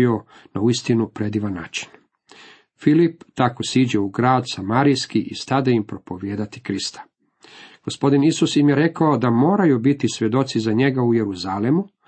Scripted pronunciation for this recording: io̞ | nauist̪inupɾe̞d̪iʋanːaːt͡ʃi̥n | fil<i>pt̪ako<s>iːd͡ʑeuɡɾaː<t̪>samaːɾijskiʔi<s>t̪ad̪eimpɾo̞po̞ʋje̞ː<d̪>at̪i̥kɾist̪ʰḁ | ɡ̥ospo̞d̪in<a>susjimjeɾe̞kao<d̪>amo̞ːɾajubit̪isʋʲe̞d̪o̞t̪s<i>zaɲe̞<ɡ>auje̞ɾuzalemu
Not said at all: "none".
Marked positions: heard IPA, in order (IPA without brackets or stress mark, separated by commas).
i, s, d̪, s, d̪, i, d̪, i, ɡ